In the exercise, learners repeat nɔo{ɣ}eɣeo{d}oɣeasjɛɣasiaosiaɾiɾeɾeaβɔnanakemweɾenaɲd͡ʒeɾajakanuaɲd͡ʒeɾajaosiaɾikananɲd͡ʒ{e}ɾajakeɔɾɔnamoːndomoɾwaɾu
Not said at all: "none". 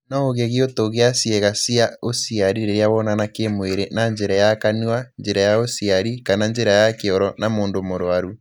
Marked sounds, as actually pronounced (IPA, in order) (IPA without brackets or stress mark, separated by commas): ɣ, t, e